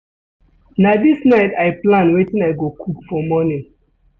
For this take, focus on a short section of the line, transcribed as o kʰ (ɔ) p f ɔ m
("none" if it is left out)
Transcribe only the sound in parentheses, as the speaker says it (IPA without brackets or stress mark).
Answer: u